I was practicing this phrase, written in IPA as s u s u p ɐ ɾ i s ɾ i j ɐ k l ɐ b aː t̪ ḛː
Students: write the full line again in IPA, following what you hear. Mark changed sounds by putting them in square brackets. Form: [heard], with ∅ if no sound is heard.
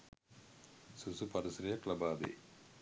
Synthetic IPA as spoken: s u s u p ɐ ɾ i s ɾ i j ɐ k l ɐ b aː [d̪] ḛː